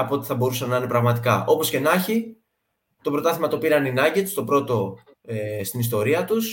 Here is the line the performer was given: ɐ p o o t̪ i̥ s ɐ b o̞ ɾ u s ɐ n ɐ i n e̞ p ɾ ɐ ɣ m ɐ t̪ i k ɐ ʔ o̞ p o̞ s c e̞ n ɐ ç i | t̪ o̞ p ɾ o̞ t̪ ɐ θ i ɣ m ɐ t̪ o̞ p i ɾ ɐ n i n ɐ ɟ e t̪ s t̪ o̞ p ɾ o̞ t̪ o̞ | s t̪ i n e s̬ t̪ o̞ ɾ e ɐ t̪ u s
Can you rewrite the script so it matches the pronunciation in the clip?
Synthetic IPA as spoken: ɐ p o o t̪ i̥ θ ɐ b o̞ ɾ u s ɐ n ɐ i n e̞ p ɾ ɐ ɣ m ɐ t̪ i k ɐ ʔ o̞ p o̞ s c e̞ n ɐ ç i | t̪ o̞ p ɾ o̞ t̪ ɐ θ i m ɐ t̪ o̞ p i ɾ ɐ n i n ɐ ɟ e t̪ s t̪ o̞ p ɾ o̞ t̪ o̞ | s t̪ i n i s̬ t̪ o̞ ɾ i ɐ t̪ u s